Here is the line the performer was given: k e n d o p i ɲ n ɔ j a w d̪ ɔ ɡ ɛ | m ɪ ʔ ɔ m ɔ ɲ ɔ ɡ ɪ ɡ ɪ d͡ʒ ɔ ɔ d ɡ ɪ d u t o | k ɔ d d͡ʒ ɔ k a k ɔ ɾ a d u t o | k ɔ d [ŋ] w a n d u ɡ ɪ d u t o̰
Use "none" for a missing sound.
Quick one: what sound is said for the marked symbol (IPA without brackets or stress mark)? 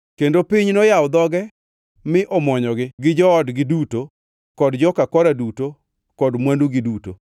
m